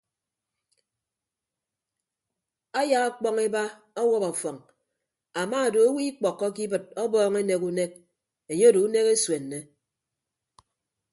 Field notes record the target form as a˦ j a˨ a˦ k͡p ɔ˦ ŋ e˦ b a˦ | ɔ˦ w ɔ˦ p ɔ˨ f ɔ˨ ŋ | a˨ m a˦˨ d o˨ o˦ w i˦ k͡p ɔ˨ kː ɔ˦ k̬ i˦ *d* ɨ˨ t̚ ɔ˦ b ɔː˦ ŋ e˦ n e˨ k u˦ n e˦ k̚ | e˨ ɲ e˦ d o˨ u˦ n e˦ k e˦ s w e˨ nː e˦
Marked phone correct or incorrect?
incorrect